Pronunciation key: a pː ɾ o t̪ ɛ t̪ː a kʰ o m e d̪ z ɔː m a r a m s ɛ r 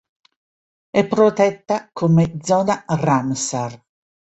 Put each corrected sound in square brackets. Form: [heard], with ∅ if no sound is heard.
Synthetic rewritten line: [ɛ] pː ɾ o t̪ ɛ t̪ː a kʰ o m e d̪ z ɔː [n] a r a m s [a] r